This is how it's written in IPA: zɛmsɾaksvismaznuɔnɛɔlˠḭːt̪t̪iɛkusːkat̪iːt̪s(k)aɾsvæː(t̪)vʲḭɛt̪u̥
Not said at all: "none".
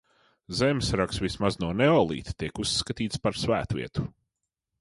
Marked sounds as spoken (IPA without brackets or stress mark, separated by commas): p, t̪